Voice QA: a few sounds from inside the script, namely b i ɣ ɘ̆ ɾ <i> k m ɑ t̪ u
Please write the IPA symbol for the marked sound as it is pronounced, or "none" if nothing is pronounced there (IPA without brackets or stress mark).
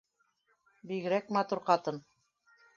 æ